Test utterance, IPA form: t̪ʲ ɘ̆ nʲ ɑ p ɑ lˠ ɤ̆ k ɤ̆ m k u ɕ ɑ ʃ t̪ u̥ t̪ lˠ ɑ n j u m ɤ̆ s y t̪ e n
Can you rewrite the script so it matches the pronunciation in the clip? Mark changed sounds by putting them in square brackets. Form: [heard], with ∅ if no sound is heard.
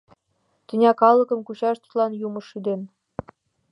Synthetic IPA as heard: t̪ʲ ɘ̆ nʲ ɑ [k] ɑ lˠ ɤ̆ k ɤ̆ m k u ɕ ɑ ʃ t̪ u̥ t̪ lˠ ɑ n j u m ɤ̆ [ʃ] y [d̪] e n